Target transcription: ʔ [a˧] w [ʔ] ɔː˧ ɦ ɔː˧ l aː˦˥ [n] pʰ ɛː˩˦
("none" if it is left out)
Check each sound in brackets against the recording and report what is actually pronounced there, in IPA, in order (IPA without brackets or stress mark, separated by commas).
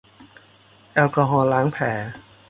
ɛ˧, k, ŋ